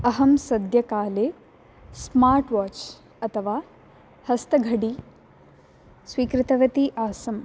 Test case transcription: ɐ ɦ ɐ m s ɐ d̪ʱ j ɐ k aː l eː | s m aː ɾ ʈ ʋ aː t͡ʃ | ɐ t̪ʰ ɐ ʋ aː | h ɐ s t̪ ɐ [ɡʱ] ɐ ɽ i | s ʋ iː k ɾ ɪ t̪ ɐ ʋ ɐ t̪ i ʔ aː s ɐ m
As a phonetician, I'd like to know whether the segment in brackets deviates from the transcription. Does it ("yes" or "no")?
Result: no